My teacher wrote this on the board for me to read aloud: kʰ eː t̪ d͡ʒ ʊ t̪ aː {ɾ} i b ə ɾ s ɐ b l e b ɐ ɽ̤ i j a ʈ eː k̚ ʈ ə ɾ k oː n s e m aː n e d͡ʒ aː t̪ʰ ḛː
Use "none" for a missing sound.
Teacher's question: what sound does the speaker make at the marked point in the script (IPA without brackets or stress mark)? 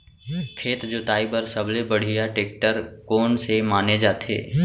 none